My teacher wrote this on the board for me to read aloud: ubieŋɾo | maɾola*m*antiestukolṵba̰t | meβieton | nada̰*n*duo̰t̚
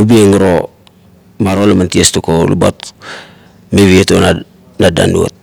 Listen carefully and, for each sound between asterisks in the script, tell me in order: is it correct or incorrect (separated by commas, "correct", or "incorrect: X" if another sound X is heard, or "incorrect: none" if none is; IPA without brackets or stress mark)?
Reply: correct, correct